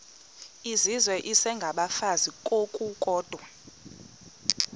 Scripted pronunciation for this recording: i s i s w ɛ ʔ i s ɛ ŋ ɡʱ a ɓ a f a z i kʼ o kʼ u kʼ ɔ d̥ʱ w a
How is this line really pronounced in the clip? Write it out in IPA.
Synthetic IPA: i z i z w ɛ ʔ i s ɛ ŋ ɡʱ a ɓ a f a z i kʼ o kʼ u kʼ ɔː d̥ʱ w a